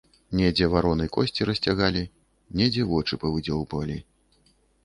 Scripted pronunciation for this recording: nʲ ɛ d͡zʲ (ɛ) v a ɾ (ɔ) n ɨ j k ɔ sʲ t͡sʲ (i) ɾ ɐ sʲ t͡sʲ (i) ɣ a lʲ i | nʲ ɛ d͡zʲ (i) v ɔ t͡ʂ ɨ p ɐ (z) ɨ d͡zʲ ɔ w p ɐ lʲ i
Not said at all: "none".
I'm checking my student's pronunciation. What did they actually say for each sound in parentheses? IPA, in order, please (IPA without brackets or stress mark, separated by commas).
ɛ, ɔ, i, a, ɛ, v